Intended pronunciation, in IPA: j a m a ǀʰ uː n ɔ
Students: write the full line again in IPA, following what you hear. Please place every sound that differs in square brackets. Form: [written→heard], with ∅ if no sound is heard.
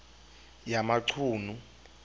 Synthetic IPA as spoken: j a m a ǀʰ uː n [ɔ→u]